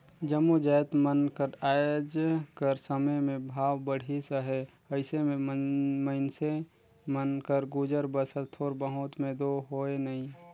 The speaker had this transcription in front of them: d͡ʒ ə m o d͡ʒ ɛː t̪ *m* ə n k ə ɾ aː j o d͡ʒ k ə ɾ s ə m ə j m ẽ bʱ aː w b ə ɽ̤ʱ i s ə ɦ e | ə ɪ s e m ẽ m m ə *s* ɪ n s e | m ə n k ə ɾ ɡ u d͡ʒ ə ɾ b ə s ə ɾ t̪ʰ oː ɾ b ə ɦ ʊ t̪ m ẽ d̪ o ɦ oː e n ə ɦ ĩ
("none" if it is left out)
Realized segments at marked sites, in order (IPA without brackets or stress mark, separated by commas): m, none